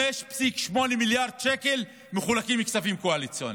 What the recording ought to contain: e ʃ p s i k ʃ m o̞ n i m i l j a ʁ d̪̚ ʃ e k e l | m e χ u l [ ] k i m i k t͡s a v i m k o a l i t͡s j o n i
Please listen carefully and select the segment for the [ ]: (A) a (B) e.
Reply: A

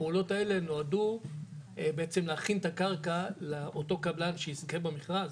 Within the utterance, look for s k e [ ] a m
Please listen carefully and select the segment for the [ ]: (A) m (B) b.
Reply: B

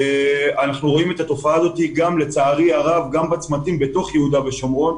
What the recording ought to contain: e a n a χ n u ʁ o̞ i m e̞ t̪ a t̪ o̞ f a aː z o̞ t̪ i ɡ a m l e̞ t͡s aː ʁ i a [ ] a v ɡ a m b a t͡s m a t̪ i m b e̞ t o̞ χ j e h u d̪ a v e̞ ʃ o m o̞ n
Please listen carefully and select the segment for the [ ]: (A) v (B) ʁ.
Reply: B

